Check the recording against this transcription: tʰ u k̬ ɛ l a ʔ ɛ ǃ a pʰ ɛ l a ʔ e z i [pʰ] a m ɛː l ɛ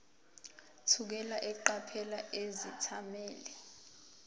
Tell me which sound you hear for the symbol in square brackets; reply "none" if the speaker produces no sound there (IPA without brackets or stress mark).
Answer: tʰ